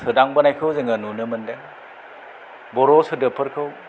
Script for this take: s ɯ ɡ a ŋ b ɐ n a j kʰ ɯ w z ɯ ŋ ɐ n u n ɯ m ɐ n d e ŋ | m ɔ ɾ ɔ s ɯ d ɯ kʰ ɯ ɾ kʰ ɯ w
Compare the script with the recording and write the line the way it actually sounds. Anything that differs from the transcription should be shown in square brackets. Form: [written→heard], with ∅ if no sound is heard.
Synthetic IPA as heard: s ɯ [ɡ→d] a ŋ b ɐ n a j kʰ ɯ w z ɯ ŋ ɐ n u n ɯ m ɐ n d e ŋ | [m→b] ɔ ɾ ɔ s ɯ d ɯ [kʰ→pʰ] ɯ ɾ kʰ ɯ w